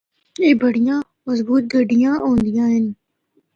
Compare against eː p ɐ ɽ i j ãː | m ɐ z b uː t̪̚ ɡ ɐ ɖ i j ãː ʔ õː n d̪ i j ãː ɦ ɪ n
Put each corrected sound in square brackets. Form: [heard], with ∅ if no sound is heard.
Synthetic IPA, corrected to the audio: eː [b] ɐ ɽ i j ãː | m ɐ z b uː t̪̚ ɡ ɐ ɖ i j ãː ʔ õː n d̪ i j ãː ɦ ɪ n

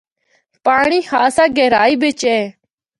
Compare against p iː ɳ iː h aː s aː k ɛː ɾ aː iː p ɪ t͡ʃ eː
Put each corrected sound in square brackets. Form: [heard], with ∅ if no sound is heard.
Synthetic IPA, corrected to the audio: p [aː] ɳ iː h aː s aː [ɡ] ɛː ɾ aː iː [b] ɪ t͡ʃ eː

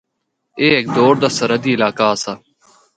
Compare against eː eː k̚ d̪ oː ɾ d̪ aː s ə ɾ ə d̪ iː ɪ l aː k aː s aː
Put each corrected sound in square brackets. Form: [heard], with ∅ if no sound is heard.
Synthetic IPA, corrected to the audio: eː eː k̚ d̪ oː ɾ d̪ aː s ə ɾ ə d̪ iː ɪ l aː k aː s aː

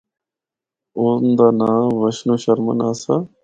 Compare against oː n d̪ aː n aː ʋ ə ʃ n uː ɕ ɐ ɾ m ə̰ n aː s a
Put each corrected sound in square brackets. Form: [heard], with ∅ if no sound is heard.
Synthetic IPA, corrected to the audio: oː n d̪ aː n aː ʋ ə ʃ n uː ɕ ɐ ɾ m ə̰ n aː s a

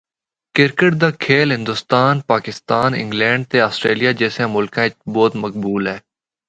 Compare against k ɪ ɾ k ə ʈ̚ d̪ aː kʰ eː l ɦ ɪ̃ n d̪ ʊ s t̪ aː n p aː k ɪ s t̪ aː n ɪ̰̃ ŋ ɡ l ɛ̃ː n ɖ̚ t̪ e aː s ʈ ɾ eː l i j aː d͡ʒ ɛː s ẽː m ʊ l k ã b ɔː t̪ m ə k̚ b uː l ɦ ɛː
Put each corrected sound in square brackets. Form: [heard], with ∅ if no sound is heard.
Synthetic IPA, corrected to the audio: k ɪ ɾ k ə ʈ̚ d̪ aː kʰ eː l ɦ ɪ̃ n d̪ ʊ s t̪ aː n p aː k ɪ s t̪ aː n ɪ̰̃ ŋ ɡ l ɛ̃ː [ɳ] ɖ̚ t̪ e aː s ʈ ɾ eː l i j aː d͡ʒ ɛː s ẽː m ʊ l k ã b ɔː t̪ m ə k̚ b uː l ɦ ɛː

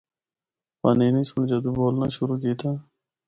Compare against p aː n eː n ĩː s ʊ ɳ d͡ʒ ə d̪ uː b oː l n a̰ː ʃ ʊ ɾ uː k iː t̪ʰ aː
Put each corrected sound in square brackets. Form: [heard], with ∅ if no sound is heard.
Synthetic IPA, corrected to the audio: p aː n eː n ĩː s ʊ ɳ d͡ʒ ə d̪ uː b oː l n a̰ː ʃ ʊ ɾ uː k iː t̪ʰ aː

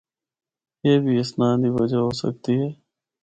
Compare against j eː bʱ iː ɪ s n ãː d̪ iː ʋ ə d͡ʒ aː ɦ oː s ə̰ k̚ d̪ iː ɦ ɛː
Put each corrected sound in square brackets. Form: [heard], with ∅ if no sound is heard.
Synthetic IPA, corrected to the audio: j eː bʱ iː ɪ s n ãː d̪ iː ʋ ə d͡ʒ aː ɦ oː s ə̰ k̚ [t̪] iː ɦ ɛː

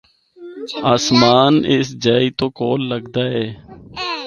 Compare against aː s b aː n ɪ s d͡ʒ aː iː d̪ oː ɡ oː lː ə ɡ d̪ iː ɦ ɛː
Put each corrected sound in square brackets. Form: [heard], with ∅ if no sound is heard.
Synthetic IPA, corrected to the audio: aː s [m] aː n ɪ s d͡ʒ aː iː [t̪] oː [k] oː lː ə ɡ d̪ [aː] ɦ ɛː

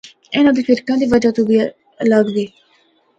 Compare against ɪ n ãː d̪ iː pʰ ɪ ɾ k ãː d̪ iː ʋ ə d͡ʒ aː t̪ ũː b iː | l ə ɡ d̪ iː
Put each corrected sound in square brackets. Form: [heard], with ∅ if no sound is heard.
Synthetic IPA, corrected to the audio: ɪ n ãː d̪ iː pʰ ɪ ɾ k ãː d̪ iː ʋ ə d͡ʒ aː t̪ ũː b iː | l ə ɡ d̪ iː

